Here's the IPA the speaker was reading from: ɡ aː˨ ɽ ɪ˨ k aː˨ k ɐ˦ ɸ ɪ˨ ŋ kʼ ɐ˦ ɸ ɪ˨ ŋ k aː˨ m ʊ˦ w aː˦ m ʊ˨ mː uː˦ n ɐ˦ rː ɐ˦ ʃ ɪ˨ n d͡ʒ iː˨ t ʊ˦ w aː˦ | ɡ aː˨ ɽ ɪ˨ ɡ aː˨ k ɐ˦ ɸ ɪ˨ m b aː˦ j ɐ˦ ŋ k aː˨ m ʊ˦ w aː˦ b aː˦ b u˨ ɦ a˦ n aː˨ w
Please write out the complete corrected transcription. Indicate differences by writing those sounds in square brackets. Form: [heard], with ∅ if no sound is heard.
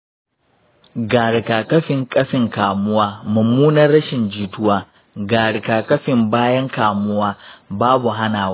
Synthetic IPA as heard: ɡ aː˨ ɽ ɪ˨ k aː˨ k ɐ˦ ɸ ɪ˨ ŋ kʼ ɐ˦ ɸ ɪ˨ ŋ k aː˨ m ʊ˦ w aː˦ m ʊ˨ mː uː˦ n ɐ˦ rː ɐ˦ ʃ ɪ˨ n d͡ʒ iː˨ t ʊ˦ w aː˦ | ɡ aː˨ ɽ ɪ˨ [k] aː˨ k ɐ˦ ɸ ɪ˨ m b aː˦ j ɐ˦ ŋ k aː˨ m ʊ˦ w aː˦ b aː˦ b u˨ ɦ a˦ n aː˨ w